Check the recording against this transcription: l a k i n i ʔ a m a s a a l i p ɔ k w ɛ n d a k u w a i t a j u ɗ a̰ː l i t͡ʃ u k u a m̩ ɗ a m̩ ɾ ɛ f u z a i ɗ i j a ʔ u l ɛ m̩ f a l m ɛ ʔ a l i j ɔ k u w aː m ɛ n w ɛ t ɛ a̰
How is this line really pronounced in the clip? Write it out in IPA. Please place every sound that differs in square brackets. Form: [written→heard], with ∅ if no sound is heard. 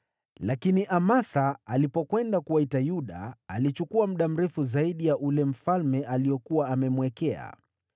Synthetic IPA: l a k i n i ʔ a m a s a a l i p ɔ k w ɛ n d a k u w a i t a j u ɗ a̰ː l i t͡ʃ u k u a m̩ ɗ a m̩ ɾ ɛ f u z a i ɗ i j a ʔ u l ɛ m̩ f a l m ɛ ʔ a l i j ɔ k u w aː m ɛ [n→m] w ɛ [t→k] ɛ a̰